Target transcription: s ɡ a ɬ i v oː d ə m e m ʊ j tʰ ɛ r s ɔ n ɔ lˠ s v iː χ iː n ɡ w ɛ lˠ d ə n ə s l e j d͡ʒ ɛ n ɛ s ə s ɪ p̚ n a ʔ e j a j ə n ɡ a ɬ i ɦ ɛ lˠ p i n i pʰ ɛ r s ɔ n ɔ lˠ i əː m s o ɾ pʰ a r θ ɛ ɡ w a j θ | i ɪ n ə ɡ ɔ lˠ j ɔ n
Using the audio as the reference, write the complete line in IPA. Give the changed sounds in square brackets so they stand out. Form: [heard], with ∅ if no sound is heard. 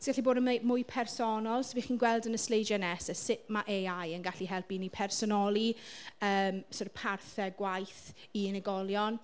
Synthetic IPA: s ɡ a ɬ i [b] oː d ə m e m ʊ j [pʰ] ɛ r s ɔ n ɔ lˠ s v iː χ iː n ɡ w ɛ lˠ d ə n ə s l e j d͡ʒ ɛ n ɛ s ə s ɪ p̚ [m] a ʔ e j a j ə n ɡ a ɬ i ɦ ɛ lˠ p i n i pʰ ɛ r s ɔ n ɔ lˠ i əː m s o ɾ pʰ a r θ ɛ ɡ w a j θ | i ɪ n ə ɡ ɔ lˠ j ɔ n